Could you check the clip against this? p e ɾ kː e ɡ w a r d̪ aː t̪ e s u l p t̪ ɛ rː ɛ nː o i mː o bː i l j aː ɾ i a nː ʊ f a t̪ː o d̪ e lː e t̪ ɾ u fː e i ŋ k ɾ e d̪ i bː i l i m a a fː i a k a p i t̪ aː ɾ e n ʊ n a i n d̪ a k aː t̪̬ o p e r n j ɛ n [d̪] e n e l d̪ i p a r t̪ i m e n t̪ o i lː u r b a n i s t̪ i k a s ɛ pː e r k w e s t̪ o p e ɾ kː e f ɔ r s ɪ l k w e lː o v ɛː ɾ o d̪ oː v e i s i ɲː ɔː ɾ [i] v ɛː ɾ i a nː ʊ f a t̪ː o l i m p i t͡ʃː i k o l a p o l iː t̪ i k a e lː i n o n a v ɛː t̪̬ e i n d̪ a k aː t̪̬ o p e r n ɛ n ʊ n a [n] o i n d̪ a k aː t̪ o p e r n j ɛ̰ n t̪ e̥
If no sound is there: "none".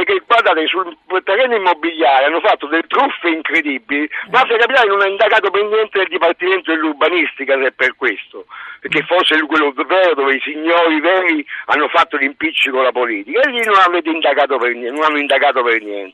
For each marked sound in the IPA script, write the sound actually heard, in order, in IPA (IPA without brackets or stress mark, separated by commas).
t̪, i, nː